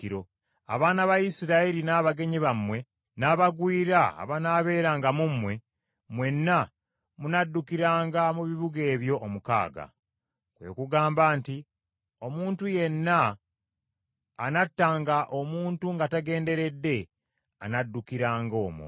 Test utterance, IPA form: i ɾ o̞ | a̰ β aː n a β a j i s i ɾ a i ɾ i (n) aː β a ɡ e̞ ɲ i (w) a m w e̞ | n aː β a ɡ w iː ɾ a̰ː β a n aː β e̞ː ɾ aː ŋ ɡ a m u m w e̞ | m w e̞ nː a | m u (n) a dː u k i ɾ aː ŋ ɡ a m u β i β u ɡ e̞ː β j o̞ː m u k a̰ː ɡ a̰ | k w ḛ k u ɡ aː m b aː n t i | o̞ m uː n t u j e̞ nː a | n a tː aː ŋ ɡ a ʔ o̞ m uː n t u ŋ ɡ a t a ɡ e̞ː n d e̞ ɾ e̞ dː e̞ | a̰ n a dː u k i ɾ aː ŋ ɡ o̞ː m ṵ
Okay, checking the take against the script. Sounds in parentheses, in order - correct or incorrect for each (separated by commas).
correct, incorrect, correct